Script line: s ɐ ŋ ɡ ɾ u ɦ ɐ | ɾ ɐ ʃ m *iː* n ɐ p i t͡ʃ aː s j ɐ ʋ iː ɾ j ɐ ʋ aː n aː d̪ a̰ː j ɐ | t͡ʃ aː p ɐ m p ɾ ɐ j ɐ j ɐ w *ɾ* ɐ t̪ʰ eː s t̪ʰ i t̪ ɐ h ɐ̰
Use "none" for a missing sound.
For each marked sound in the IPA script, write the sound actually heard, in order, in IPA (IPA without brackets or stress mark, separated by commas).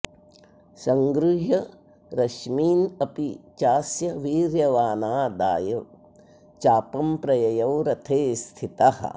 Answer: iː, ɾ